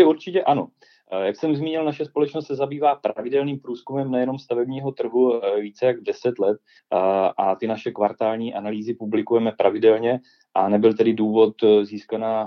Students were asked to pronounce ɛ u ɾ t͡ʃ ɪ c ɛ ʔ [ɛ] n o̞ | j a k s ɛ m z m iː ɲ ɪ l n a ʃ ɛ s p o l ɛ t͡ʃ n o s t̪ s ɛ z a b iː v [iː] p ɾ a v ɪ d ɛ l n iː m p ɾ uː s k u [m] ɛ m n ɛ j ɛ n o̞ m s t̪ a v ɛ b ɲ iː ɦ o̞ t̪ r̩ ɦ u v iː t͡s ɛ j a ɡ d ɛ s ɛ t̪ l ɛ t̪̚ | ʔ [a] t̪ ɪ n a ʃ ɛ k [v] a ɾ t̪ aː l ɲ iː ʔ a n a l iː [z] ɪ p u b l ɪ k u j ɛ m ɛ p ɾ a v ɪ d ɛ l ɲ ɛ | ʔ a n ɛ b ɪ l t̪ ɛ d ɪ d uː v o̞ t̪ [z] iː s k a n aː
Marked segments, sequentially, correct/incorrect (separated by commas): incorrect, incorrect, correct, correct, correct, correct, correct